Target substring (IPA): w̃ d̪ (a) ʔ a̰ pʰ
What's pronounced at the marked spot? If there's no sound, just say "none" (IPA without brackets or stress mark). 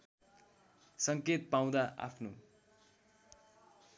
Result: a